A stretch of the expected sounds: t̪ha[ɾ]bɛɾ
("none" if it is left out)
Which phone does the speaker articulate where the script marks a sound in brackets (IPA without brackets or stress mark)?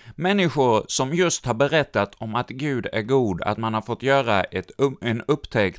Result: ɾ